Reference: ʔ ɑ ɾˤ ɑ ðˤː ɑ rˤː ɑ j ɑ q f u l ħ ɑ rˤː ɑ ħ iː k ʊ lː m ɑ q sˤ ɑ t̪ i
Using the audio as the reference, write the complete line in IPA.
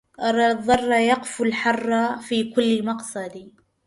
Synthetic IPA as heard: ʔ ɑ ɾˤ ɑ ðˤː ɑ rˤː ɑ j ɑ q f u l ħ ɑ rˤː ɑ f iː k ʊ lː m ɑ q sˤ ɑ d̪ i